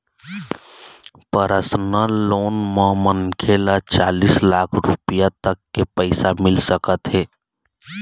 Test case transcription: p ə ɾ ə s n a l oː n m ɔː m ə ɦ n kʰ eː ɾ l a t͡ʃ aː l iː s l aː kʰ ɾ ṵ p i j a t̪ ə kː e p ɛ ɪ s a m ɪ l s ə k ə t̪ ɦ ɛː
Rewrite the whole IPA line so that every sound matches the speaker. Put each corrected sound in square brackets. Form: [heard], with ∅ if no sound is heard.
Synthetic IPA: p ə ɾ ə s n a l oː n m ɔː m ə [∅] n kʰ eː [∅] l a t͡ʃ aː l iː s l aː kʰ ɾ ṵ p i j a t̪ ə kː e p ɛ ɪ s a m ɪ l s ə k ə t̪ ɦ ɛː